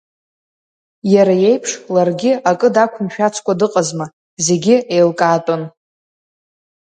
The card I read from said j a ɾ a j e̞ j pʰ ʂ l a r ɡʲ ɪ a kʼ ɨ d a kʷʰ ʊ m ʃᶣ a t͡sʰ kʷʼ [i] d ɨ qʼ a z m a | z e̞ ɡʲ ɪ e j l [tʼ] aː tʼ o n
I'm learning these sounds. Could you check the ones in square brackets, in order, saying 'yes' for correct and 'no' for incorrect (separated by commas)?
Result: no, no